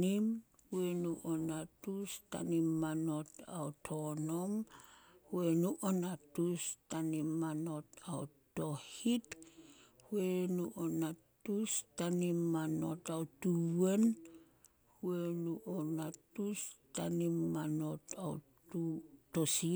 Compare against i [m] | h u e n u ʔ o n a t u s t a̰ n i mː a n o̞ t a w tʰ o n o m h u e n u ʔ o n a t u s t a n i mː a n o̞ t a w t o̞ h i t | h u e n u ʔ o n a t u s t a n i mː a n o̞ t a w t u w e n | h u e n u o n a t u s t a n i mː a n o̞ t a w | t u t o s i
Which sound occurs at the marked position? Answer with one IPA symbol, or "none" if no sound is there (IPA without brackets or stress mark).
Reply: m